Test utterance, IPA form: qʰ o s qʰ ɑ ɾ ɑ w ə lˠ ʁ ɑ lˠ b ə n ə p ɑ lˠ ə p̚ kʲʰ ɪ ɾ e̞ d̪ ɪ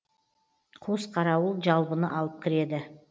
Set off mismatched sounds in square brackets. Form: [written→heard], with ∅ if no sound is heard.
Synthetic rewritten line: qʰ o s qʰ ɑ ɾ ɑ w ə lˠ [ʁ→ʒ] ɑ lˠ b ə n ə [p→ʔ] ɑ lˠ ə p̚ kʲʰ ɪ ɾ e̞ d̪ ɪ